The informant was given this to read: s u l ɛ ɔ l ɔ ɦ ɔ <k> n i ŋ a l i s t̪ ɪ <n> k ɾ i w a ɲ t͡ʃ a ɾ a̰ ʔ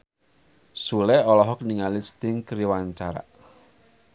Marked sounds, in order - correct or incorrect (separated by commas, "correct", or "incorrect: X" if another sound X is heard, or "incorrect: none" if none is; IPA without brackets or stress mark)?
correct, incorrect: ŋ